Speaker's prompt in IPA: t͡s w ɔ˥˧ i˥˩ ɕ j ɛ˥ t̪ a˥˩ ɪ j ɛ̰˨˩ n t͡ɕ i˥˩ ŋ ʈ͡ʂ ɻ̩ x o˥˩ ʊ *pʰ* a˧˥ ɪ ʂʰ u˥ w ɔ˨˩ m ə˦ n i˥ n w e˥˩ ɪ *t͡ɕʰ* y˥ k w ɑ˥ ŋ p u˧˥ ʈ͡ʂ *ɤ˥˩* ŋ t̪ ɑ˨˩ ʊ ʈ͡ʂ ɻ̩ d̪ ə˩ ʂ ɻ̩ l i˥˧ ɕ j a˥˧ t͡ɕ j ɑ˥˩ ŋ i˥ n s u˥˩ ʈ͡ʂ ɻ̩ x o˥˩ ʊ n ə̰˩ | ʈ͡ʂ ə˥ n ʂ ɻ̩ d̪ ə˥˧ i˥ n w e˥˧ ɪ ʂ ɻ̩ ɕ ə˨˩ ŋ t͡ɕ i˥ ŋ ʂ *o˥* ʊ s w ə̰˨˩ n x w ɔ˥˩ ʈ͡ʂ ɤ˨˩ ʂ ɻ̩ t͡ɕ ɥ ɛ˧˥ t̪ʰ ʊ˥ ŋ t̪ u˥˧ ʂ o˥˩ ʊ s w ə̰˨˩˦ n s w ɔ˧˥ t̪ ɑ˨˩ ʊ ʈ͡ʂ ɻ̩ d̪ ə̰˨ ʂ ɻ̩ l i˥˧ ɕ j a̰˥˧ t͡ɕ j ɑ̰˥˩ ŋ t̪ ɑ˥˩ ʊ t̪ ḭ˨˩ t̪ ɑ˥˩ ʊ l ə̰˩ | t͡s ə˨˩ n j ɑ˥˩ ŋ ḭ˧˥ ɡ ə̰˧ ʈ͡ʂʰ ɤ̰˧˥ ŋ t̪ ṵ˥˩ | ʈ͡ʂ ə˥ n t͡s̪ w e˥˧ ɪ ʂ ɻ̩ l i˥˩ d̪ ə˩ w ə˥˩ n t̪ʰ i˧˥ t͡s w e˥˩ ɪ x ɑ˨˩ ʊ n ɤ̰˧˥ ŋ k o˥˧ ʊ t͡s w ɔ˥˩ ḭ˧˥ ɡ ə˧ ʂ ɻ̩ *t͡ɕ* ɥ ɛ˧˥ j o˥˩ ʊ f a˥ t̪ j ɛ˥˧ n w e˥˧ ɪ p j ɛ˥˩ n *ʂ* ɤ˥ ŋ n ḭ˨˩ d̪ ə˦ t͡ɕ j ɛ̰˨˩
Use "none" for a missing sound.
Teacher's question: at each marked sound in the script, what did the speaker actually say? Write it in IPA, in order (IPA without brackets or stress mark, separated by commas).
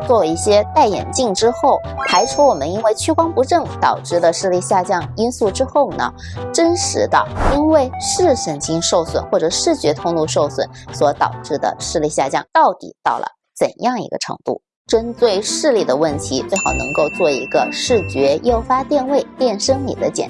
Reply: pʰ, t͡ɕʰ, ɤ˥˩, o˥˩, t͡ɕ, ʂ